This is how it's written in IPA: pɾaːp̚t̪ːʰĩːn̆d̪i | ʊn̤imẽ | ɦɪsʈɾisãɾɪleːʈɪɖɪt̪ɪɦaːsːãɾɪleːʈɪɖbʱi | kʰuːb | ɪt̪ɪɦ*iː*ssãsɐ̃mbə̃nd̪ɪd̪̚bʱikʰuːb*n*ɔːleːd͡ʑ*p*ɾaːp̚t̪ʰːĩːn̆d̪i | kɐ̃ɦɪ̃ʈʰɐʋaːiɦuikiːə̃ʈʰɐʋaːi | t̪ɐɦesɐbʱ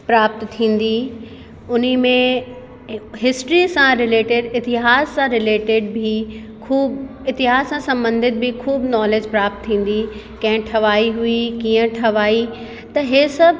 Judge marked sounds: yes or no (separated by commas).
no, yes, yes